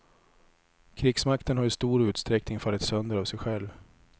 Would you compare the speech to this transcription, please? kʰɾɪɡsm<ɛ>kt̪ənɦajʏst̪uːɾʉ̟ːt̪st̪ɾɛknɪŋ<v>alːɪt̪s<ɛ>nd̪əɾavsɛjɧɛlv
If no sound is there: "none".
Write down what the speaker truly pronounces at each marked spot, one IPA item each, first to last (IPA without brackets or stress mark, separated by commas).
a, f, œ